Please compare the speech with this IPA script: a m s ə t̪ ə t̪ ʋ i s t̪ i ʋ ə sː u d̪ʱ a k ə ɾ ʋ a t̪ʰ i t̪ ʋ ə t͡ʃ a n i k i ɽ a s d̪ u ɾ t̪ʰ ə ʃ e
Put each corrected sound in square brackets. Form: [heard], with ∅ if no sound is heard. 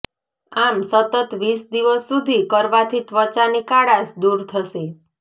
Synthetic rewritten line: a m s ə t̪ ə t̪ ʋ i s [d̪] i ʋ ə sː u d̪ʱ [i] k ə ɾ ʋ a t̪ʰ i t̪ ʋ ə t͡ʃ a n i k [a] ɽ a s d̪ u ɾ t̪ʰ ə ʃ e